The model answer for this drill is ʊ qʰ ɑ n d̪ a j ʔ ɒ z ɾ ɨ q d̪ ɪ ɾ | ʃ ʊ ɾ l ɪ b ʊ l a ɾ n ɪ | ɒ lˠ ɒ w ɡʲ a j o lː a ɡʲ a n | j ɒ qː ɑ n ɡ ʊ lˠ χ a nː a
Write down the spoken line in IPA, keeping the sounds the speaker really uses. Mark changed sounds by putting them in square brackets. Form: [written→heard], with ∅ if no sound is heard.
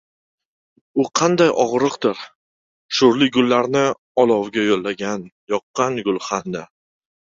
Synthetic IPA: ʊ qʰ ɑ n d̪ a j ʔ ɒ [z→ʁ] ɾ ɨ q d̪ ɪ ɾ | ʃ ʊ ɾ l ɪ [b→ɡ] ʊ [l→lː] a ɾ n ɪ | ɒ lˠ ɒ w ɡʲ a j o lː a ɡʲ a n | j ɒ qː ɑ n ɡ ʊ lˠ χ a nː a